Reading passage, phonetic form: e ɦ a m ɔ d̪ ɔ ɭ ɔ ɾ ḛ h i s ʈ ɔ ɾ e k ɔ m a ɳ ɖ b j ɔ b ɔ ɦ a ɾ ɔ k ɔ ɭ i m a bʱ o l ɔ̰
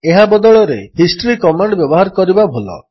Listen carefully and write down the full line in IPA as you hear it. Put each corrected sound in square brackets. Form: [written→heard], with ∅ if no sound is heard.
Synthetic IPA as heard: e ɦ a [m→b] ɔ d̪ ɔ ɭ ɔ ɾ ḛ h i s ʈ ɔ ɾ [e→i] k ɔ m a ɳ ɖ b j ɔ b ɔ ɦ a ɾ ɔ k ɔ [ɭ→ɾ] i [m→b] a bʱ o l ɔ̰

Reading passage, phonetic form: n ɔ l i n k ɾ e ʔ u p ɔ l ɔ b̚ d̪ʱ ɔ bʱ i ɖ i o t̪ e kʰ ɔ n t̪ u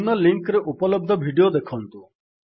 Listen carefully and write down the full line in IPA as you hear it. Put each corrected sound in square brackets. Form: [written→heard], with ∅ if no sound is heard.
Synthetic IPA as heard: n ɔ l i [n→ŋ] k ɾ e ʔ u p ɔ l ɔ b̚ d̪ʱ ɔ bʱ i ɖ i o [t̪→d̪] e kʰ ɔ n t̪ u

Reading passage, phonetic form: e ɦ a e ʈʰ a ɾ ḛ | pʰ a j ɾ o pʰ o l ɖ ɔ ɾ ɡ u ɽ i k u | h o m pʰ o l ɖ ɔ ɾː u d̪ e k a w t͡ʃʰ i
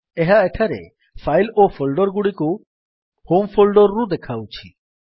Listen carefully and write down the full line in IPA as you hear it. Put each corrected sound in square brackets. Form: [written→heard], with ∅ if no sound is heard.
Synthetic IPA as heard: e ɦ a e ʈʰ a ɾ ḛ | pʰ a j [ɾ→l] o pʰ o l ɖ ɔ ɾ ɡ u ɽ i k u | h o m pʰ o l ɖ ɔ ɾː u d̪ e [k→kʰ] a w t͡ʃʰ i

